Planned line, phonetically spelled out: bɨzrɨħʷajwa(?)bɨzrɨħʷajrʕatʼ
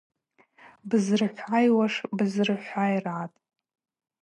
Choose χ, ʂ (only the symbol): ʂ